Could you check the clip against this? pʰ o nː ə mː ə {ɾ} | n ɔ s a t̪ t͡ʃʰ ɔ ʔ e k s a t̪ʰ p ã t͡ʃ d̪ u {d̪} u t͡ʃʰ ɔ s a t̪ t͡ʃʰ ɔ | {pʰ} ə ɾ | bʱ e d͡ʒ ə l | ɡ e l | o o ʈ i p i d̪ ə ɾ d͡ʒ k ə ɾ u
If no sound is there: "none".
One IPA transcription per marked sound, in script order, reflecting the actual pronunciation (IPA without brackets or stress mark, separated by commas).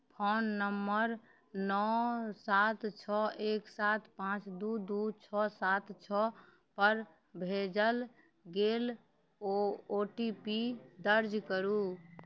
ɾ, d̪, p